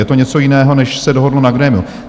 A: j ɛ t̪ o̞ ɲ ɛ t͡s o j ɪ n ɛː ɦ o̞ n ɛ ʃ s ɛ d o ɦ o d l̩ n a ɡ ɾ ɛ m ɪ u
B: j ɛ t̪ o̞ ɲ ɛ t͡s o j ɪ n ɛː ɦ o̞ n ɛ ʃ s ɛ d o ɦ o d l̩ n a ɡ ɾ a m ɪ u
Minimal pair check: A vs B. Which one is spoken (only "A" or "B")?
A